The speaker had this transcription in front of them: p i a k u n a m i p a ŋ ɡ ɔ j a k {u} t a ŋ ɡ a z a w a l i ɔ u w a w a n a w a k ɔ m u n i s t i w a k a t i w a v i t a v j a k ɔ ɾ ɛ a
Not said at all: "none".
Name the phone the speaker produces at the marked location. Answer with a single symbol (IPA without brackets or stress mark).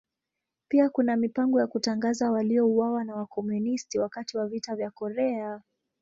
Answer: u